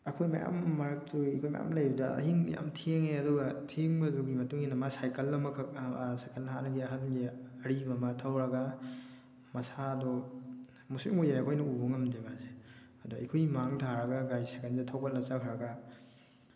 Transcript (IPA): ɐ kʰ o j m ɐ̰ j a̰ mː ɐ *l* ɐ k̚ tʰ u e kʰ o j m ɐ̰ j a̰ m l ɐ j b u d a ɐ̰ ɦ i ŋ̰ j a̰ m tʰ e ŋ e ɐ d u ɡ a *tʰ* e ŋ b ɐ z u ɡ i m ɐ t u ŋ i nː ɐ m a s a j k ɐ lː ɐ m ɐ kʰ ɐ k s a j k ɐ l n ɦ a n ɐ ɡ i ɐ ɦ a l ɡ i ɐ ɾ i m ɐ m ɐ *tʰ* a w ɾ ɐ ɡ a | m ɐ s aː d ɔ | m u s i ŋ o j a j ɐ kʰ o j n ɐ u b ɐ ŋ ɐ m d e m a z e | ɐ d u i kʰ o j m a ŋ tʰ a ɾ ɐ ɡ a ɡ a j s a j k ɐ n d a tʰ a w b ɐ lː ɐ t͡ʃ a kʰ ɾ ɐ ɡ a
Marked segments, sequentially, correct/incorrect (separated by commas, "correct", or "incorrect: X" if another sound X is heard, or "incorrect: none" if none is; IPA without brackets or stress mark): incorrect: ɾ, correct, correct